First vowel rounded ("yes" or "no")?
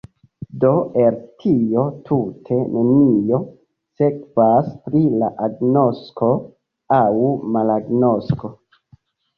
yes